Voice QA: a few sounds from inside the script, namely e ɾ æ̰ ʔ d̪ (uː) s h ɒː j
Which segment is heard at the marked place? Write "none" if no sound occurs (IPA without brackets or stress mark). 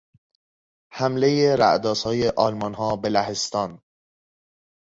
ɒː